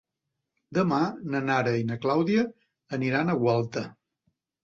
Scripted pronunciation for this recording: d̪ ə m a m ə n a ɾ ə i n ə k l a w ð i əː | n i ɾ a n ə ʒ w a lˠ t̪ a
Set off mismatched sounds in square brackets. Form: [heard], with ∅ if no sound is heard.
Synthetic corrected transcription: d̪ ə m a [n] ə n a ɾ ə i n ə k l a w ð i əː | n i ɾ a n ə [ɣ] w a lˠ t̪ [ə]

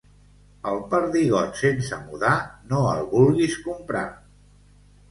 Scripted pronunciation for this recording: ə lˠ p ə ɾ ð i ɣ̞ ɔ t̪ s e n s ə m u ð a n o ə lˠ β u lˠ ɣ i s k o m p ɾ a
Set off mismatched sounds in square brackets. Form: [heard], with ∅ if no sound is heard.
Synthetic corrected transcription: ə lˠ p ə ɾ ð i ɣ̞ ɔ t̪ s e n s ə m u ð a n o ə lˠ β u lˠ ɣ i s k [u] m p ɾ a

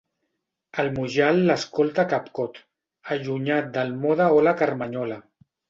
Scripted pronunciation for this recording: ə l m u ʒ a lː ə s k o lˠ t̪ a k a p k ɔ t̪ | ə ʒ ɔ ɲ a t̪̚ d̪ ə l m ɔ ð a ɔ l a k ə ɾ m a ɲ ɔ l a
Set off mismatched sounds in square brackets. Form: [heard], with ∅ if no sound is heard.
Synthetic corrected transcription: ə l m u ʒ a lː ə s k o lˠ t̪ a k a p k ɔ t̪ | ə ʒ [u] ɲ a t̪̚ d̪ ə l m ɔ ð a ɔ l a k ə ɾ m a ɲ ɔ l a

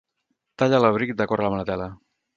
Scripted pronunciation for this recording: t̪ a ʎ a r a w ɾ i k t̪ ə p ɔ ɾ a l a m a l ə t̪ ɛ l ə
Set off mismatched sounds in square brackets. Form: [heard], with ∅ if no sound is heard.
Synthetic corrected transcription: t̪ a ʎ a [l] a [β] ɾ i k [d̪] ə [k] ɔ ɾ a l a m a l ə t̪ ɛ l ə

